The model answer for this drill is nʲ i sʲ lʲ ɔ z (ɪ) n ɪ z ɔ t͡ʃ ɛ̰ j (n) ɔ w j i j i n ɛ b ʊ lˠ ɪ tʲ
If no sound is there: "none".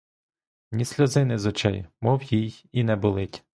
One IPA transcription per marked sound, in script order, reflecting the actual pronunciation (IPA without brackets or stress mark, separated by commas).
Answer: ɪ, m